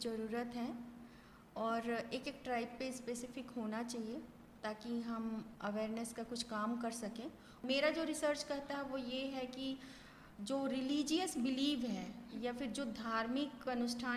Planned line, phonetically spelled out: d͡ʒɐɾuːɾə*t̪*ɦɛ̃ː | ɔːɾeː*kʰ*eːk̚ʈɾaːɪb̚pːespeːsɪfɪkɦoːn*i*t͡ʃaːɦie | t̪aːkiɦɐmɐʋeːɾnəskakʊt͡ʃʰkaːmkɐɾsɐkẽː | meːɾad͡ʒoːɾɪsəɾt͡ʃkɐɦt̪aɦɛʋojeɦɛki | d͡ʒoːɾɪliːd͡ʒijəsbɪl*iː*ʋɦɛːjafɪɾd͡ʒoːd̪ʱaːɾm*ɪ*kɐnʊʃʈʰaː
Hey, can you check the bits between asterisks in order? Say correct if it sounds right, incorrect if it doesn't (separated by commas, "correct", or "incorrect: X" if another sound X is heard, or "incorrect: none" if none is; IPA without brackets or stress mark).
correct, incorrect: k, incorrect: a, correct, correct